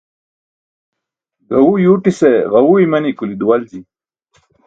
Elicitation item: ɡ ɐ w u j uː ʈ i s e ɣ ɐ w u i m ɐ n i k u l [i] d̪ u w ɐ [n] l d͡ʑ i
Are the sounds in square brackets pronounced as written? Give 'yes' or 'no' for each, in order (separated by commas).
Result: yes, no